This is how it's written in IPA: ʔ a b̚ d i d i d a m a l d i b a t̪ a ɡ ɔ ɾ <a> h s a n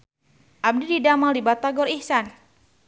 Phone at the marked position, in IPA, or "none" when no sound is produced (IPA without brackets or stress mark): i